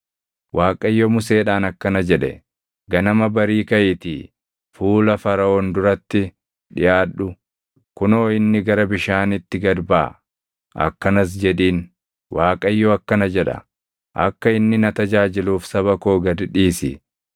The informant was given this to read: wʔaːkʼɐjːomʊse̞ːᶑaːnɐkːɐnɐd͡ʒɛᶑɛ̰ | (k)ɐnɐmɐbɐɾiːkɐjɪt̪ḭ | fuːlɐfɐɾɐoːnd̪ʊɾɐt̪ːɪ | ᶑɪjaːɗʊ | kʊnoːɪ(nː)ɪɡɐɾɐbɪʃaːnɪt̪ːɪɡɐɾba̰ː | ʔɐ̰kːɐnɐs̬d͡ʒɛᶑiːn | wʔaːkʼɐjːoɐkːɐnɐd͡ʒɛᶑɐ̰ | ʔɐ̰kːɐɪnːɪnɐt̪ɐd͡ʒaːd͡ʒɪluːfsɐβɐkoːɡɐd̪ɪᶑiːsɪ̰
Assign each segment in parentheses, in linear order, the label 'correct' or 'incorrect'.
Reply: incorrect, correct

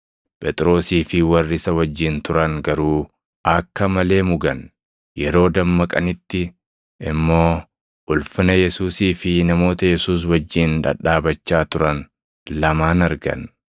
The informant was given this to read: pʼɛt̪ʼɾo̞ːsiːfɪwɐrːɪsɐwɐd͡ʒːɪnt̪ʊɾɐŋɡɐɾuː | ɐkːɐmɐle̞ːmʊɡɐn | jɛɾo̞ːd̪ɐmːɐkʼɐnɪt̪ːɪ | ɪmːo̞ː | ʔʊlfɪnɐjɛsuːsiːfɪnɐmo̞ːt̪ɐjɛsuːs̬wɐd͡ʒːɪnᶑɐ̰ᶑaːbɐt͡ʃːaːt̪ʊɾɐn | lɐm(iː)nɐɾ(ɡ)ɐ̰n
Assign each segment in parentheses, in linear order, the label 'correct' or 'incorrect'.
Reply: incorrect, correct

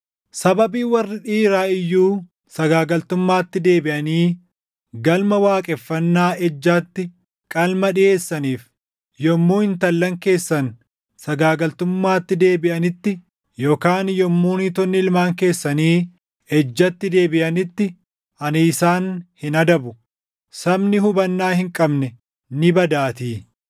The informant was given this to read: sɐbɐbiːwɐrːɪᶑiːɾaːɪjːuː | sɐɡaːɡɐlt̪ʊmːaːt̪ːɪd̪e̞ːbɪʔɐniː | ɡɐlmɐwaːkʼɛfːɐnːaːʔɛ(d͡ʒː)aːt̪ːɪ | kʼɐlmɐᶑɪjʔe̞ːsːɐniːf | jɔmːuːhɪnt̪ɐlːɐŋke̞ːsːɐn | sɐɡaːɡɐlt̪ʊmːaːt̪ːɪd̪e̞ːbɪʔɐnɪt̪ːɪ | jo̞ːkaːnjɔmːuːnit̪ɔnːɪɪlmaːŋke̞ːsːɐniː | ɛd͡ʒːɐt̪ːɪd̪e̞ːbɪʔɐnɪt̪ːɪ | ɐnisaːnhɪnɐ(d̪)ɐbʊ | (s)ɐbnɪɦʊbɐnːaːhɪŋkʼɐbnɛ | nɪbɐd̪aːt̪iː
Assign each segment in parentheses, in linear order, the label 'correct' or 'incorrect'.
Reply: correct, correct, correct

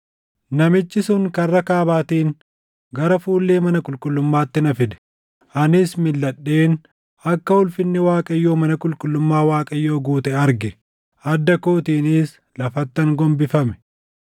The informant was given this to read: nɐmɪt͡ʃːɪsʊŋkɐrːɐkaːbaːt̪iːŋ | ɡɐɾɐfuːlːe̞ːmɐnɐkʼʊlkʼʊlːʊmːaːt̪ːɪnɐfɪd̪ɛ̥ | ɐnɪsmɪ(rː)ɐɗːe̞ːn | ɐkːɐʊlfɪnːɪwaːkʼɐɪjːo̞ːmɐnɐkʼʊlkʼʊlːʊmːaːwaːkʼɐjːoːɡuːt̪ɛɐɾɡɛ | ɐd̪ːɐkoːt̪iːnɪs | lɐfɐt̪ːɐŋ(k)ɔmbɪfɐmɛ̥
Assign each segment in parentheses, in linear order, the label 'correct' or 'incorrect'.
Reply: incorrect, incorrect

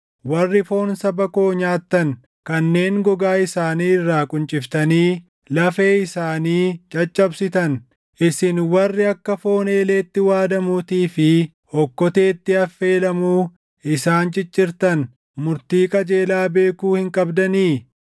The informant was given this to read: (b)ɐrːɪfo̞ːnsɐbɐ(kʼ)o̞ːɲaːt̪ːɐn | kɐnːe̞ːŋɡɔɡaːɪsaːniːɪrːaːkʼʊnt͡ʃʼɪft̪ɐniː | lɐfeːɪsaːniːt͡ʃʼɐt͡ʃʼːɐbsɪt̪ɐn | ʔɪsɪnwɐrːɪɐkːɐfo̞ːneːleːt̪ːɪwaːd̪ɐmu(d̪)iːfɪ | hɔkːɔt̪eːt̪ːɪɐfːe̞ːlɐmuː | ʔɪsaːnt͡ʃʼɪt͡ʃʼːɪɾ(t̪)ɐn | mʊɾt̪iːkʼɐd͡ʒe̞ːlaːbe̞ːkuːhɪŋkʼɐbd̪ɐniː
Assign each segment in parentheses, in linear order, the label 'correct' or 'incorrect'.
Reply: incorrect, incorrect, incorrect, correct

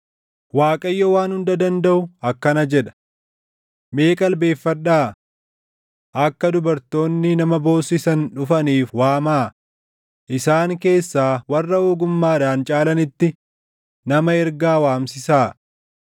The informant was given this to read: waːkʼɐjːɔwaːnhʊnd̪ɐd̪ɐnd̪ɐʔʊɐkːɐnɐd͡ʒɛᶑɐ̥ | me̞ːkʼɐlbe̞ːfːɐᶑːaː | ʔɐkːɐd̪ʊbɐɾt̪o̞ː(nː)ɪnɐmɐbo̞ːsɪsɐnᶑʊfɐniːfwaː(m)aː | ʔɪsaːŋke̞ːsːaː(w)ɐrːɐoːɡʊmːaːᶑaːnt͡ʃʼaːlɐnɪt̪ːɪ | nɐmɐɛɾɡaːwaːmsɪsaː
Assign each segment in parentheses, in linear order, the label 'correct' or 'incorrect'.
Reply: correct, correct, correct

